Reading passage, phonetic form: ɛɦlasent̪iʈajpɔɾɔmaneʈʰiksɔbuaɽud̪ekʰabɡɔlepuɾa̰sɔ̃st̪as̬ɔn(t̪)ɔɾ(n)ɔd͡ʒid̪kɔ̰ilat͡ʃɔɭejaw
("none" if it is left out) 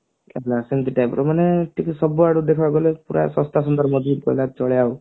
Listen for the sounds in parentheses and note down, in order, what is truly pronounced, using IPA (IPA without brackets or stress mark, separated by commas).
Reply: d̪, m